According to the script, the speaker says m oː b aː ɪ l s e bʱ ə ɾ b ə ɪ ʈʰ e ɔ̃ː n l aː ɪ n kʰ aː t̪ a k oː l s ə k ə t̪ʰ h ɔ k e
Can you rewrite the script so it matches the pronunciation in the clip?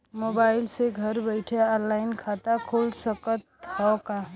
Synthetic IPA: m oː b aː ɪ l s e ɡʱ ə ɾ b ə ɪ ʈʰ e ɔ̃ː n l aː ɪ n kʰ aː t̪ a kʰ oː l s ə k ə t̪ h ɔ k a